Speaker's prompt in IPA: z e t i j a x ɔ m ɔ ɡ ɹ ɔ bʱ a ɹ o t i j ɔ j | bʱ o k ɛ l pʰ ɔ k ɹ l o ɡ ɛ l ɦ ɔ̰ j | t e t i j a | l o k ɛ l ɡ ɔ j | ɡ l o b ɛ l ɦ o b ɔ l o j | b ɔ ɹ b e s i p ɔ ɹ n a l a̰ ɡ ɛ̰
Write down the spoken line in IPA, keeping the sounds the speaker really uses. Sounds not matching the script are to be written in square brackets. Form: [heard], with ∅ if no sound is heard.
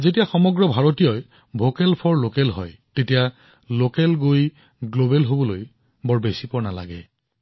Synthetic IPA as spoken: z e t i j a x ɔ m ɔ ɡ ɹ ɔ bʱ a ɹ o t i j ɔ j | bʱ o k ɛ l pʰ ɔ [∅] ɹ l o [k] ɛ l ɦ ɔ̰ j | t e t i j a | l o k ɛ l ɡ [o] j | ɡ l o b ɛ l ɦ o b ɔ l o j | b ɔ ɹ b e s i p ɔ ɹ n a l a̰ ɡ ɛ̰